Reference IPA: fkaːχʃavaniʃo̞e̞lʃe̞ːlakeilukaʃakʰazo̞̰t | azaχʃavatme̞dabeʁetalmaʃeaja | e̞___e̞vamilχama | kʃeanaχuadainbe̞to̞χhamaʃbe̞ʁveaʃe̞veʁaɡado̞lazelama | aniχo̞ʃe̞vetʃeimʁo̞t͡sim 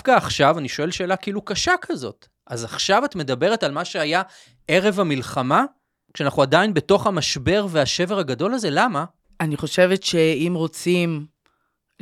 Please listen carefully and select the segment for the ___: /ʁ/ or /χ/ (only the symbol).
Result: ʁ